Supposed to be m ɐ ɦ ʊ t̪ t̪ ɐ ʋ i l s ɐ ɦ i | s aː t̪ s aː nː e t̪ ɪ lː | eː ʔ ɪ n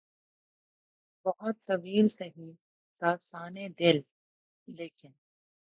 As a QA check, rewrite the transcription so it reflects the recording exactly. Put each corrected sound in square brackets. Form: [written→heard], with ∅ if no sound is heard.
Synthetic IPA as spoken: [m→b] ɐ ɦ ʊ t̪ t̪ ɐ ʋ [i→iː] l s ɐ ɦ i | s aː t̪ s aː [nː→n] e [t̪→d̪] ɪ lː | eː [ʔ→k] ɪ n